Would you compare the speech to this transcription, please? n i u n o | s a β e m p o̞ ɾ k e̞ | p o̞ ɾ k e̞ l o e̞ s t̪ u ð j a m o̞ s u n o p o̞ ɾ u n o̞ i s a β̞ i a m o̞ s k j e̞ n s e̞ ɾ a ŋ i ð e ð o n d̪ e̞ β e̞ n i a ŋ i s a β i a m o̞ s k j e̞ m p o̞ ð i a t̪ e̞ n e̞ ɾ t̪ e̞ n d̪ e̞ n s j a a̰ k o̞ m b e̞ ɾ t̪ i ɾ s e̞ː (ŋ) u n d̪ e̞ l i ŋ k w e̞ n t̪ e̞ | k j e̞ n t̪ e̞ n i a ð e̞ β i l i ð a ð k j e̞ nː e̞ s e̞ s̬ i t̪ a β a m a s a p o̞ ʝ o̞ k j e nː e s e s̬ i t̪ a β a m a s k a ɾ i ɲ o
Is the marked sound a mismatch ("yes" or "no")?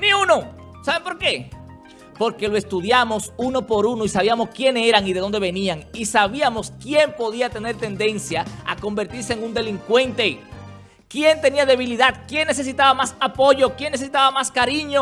no